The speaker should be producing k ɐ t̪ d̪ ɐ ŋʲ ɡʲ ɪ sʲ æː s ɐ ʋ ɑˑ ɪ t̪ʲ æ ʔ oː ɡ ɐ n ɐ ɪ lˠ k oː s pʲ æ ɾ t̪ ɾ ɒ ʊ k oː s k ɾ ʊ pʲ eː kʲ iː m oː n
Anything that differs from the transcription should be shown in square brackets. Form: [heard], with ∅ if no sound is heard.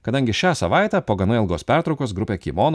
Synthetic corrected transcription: k ɐ [∅] d̪ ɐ ŋʲ ɡʲ ɪ [ʃʲ] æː s ɐ ʋ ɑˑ ɪ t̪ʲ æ [p] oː ɡ ɐ n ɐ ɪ lˠ [ɡ] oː s pʲ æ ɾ t̪ ɾ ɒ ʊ k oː s [ɡ] ɾ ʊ pʲ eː kʲ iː m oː n